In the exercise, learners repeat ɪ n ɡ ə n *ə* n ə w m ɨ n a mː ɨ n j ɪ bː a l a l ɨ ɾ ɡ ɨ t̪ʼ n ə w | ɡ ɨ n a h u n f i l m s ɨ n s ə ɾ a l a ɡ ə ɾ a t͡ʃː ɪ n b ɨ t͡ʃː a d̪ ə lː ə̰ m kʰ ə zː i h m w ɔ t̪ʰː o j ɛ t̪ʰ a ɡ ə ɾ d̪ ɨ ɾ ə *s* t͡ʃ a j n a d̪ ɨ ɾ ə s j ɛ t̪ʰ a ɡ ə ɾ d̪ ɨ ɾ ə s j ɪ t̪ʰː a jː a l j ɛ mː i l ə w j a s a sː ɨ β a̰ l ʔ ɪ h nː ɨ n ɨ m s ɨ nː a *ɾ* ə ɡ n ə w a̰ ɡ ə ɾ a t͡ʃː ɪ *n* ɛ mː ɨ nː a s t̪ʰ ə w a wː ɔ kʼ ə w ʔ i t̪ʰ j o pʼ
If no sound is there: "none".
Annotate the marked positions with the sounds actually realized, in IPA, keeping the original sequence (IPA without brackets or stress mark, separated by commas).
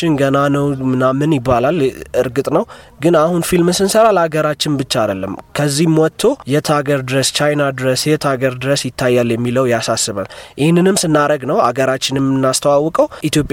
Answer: a, s, ɾ, n